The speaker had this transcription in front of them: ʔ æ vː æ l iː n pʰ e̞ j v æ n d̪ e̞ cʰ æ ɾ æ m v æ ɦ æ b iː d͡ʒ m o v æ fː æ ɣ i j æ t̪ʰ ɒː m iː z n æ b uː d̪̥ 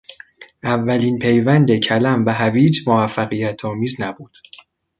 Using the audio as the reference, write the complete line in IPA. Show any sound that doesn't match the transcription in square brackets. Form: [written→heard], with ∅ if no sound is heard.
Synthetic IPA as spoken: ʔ æ vː æ l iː n pʰ e̞ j v æ n d̪ e̞ cʰ æ [ɾ→l] æ m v æ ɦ æ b iː d͡ʒ m o v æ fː æ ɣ i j æ t̪ʰ ɒː m iː z n æ b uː d̪̥

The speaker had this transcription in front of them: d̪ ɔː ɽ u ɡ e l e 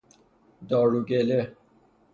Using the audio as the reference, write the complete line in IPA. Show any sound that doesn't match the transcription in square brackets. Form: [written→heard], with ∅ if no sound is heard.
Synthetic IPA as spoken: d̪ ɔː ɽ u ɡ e l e

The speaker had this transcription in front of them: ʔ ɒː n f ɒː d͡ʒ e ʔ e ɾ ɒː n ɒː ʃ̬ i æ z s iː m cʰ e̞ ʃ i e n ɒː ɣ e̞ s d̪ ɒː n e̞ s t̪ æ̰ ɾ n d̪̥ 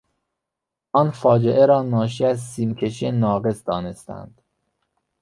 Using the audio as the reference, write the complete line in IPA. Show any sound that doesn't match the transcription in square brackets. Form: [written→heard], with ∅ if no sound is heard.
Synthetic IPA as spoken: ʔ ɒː n f ɒː d͡ʒ e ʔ e ɾ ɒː n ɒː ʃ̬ i æ z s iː m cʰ e̞ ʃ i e n ɒː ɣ e̞ s d̪ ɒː n e̞ s t̪ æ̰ [ɾ→∅] n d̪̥

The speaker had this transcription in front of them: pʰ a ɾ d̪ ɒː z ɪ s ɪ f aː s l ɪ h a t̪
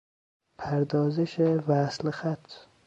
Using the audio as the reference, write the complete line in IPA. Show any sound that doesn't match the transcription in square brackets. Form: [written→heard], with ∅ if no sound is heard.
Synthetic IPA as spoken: pʰ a ɾ d̪ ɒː z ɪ [s→ʃ] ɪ [f→v] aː s l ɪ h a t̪

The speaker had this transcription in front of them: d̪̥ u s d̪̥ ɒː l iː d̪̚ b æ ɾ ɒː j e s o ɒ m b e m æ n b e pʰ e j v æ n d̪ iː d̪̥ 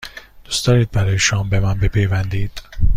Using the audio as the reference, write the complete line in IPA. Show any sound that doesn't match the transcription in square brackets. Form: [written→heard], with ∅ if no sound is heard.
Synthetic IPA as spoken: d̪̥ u s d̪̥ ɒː [l→ɾ] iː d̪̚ b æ ɾ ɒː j e [s→ʃ] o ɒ m b e m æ n b e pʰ e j v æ n d̪ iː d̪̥

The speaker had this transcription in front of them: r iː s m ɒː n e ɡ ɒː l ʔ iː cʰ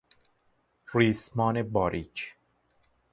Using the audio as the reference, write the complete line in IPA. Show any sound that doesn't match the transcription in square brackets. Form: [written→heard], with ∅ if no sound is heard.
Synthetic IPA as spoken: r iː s m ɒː n e [ɡ→b] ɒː [l→ɾ] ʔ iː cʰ

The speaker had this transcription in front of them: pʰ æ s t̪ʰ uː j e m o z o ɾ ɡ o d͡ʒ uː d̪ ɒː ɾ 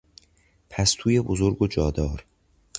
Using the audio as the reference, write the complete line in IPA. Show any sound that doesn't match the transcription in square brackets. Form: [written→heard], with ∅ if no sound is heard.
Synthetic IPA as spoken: pʰ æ s t̪ʰ uː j e [m→b] o z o ɾ ɡ o d͡ʒ [uː→ɒː] d̪ ɒː ɾ

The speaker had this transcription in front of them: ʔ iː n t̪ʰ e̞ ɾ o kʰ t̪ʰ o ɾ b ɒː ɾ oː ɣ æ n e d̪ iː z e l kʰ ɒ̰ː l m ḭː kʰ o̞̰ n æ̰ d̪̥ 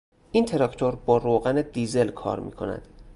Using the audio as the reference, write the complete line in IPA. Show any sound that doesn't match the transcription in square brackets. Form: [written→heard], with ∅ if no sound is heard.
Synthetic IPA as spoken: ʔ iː n t̪ʰ e̞ ɾ [o→ɒ] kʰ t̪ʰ o ɾ b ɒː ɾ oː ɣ æ n e d̪ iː z e l kʰ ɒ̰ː [l→ɾ] m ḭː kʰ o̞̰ n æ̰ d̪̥

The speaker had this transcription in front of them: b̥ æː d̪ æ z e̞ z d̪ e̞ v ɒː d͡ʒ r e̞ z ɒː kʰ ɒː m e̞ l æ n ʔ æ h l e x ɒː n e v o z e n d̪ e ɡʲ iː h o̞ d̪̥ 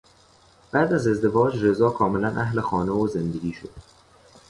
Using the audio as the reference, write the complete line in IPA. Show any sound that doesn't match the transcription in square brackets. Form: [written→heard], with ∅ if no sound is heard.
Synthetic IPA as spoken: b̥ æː d̪ æ z e̞ z d̪ e̞ v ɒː d͡ʒ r e̞ z ɒː kʰ ɒː m e̞ l æ n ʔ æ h l e x ɒː n e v o z e n d̪ e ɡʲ iː [h→ʃ] o̞ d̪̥

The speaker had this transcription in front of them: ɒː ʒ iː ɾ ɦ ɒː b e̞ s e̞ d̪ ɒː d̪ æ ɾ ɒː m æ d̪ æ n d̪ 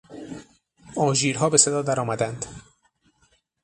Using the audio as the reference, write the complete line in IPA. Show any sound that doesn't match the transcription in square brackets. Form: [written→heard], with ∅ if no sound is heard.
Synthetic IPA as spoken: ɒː ʒ iː ɾ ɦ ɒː b e̞ s e̞ d̪ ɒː d̪ æ ɾ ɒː m æ d̪ æ n d̪

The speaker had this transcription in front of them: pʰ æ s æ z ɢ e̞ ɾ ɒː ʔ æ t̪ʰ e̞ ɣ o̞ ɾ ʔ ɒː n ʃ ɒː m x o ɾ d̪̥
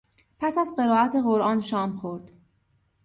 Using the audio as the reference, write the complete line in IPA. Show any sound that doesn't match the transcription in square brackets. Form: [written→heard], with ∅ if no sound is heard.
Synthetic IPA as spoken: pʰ æ s æ z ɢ e̞ ɾ ɒː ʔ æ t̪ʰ e̞ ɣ o̞ ɾ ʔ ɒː n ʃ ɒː m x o ɾ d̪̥

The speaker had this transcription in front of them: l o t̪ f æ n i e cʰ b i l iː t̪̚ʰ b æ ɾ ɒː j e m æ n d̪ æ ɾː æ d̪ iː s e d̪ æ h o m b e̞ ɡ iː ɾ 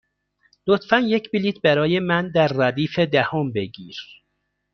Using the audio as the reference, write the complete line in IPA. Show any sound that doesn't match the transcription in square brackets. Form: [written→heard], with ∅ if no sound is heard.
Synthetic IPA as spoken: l o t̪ f æ n [i→j] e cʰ b i l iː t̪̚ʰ b æ ɾ ɒː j e m æ n d̪ æ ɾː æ d̪ iː [s→f] e d̪ æ h o m b e̞ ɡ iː ɾ

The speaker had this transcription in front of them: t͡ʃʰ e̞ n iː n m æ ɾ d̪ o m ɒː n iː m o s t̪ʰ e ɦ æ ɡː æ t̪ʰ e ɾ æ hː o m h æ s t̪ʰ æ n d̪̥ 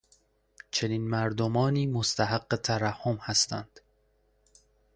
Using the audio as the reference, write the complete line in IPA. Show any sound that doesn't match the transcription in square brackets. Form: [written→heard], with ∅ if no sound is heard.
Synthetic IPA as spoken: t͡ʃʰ e̞ n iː n m æ ɾ d̪ o m ɒː n iː m o s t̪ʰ [e→æ] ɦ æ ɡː [æ→e] t̪ʰ [e→æ] ɾ æ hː o m h æ s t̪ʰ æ n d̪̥

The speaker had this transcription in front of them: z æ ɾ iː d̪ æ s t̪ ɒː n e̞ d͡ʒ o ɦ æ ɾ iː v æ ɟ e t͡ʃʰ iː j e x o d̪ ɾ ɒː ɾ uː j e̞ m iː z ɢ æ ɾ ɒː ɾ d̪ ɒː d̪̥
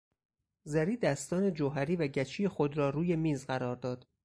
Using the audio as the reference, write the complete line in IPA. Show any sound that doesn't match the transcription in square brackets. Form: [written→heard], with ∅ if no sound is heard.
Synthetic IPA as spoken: z æ ɾ iː d̪ æ s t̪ ɒː n e̞ d͡ʒ o ɦ æ ɾ iː v æ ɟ [e→æ] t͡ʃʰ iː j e x o d̪ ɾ ɒː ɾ uː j e̞ m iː z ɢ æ ɾ ɒː ɾ d̪ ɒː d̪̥

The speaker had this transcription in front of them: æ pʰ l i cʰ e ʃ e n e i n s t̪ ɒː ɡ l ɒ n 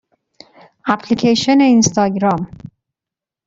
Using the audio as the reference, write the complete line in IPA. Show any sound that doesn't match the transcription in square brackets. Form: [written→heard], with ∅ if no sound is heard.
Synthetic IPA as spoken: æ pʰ l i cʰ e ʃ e n e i n s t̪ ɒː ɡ [l→ɾ] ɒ [n→m]

